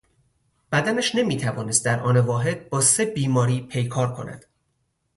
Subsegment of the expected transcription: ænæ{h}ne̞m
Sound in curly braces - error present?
yes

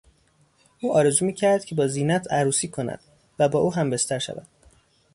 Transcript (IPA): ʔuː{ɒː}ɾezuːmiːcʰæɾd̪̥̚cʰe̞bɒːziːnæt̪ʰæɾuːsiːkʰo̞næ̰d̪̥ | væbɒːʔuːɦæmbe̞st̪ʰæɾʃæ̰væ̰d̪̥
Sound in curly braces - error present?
no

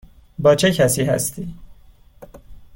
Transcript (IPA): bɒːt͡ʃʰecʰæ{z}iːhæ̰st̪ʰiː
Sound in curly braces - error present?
yes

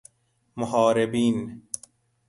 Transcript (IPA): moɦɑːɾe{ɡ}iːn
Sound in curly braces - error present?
yes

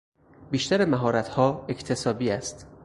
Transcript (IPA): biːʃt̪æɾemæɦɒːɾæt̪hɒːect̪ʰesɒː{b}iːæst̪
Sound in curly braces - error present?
no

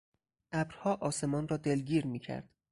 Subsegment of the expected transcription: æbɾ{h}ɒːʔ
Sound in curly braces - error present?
no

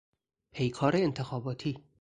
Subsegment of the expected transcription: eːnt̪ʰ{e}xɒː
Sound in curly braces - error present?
no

